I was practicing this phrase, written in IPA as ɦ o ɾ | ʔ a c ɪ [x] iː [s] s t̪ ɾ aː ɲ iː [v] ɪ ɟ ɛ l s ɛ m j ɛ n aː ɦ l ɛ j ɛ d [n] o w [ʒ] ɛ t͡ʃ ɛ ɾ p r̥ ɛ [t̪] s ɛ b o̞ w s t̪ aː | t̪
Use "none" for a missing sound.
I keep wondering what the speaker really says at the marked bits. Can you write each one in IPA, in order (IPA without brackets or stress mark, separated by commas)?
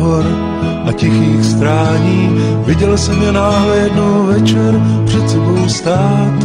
x, x, v, n, v, t̪